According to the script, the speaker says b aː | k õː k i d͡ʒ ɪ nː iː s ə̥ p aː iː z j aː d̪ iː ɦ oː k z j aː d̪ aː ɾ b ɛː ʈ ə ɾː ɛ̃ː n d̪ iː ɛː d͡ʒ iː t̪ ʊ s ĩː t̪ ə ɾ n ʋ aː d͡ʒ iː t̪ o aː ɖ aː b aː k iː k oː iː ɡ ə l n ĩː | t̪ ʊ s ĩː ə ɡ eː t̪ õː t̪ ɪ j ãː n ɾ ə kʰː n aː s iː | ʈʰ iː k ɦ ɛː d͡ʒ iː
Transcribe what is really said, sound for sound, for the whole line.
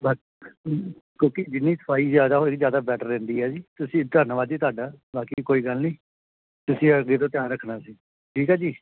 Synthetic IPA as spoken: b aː | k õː k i d͡ʒ ɪ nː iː s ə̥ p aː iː z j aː d̪ aː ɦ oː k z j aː d̪ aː b ɛː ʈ ə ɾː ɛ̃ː n d̪ iː ɛː d͡ʒ iː t̪ ʊ s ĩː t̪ ə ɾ n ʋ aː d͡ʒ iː t̪ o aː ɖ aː b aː k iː k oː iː ɡ ə l n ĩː | t̪ ʊ s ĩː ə ɡ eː t̪ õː t̪ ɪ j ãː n ɾ ə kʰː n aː s iː | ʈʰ iː k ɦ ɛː d͡ʒ iː